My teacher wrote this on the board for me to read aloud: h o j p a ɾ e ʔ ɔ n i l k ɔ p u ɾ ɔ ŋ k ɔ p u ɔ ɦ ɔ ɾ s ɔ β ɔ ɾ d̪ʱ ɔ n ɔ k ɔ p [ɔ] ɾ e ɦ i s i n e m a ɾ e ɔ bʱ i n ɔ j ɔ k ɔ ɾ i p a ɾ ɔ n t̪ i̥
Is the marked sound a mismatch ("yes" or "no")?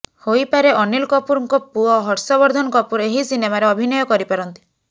yes